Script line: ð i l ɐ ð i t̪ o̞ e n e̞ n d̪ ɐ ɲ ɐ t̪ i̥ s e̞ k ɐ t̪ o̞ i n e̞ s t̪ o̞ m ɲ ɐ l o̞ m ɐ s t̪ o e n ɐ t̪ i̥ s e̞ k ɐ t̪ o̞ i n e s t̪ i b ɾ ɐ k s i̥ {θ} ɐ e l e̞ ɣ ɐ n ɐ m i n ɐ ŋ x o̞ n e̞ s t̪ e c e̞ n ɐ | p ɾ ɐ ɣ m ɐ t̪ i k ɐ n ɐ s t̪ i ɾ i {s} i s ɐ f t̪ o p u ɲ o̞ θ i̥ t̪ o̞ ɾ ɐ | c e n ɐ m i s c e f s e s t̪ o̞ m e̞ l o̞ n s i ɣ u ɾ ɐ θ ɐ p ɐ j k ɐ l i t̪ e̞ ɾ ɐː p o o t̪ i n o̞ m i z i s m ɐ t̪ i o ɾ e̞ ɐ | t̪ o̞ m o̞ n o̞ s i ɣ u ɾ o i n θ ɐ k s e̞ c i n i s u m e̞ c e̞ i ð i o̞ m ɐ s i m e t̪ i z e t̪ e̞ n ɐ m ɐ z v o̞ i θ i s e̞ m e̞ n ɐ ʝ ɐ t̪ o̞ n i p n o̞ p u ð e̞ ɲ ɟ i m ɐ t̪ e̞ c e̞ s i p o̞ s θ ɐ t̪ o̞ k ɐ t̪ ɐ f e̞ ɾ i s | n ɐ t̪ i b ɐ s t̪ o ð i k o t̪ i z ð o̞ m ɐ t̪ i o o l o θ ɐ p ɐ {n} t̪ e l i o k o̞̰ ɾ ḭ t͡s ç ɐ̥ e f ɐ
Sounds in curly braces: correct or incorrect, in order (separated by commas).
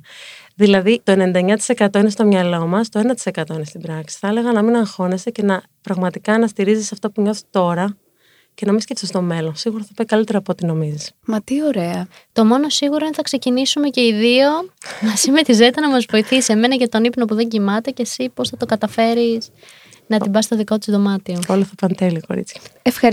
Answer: correct, incorrect, correct